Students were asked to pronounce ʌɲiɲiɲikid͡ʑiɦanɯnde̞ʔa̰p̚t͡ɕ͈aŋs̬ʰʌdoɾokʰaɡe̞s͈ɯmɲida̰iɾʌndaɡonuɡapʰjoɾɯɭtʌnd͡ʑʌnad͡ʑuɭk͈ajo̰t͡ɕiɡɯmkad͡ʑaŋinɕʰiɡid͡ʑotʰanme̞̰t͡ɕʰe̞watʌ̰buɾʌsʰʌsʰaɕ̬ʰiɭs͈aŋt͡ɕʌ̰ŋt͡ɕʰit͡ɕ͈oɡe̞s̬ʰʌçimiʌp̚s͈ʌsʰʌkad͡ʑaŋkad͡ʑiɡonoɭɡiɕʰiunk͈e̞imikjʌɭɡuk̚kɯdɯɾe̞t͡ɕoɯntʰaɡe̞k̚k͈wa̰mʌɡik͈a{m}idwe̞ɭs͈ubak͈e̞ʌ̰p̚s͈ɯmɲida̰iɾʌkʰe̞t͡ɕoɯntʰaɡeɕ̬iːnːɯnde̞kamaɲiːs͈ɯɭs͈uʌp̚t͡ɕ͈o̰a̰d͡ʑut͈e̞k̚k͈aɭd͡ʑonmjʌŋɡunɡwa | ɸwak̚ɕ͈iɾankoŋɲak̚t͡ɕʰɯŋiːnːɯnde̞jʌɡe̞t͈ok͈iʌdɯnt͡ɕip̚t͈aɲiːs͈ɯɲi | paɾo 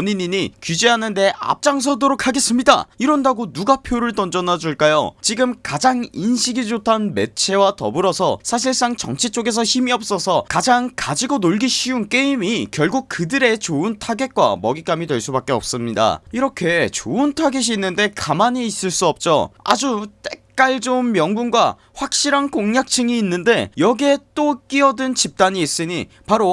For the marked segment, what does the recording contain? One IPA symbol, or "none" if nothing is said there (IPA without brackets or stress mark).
m